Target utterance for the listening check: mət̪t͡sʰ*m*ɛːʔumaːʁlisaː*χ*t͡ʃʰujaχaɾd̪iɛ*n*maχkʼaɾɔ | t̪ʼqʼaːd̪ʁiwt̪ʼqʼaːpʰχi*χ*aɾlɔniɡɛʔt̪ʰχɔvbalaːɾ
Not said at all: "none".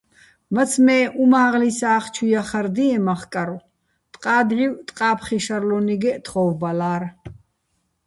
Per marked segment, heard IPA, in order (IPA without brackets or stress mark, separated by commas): m, χ, none, ʃ